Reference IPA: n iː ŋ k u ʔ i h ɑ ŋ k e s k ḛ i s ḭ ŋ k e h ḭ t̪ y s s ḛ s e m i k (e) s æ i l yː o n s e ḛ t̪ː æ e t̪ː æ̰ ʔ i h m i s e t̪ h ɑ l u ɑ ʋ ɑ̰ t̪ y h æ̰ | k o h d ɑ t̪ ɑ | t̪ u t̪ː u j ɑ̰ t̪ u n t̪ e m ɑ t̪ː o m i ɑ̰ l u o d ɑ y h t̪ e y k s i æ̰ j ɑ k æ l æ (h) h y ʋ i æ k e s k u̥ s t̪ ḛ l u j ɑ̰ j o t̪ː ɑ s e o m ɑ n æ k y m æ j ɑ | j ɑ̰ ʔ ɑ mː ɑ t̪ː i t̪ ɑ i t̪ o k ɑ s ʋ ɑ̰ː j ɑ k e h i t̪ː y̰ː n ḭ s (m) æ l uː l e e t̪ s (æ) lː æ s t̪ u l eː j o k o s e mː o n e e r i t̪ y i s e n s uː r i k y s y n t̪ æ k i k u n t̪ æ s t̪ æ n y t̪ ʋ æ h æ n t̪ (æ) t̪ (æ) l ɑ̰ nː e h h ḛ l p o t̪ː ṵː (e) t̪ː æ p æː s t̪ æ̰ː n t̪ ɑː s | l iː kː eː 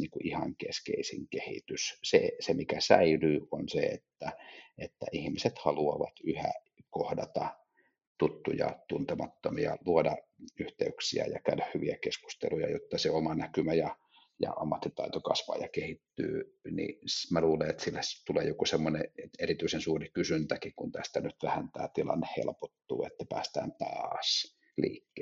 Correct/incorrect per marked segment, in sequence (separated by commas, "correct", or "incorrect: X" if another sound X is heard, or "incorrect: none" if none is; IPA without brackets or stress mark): incorrect: æ, correct, correct, incorrect: i, incorrect: æː, incorrect: i, correct